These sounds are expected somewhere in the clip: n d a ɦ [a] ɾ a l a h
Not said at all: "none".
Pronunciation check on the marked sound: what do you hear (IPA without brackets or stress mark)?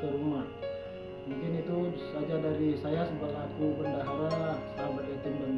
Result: a